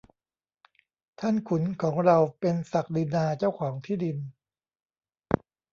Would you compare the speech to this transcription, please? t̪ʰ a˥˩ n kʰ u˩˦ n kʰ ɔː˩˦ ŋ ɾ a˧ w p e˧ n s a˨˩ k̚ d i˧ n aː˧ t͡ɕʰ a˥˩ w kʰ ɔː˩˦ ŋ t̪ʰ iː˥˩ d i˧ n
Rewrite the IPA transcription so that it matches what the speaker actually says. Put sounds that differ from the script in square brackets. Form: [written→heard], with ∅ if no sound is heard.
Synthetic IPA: t̪ʰ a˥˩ n kʰ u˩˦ n kʰ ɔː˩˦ ŋ ɾ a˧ w p e˧ n s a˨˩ k̚ d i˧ n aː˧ [t͡ɕʰ→t͡ɕ] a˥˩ w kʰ ɔː˩˦ ŋ t̪ʰ iː˥˩ d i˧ n